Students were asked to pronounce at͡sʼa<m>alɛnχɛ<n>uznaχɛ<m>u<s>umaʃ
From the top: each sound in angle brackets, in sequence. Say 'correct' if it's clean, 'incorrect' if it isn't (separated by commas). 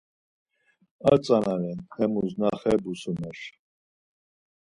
incorrect, incorrect, incorrect, correct